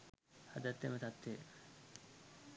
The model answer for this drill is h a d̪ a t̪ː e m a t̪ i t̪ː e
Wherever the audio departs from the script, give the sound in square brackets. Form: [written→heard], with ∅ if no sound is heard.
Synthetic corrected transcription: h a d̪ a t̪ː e m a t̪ [i→a] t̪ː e